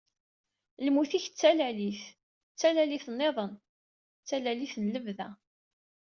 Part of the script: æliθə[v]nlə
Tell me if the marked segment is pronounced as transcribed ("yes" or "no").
no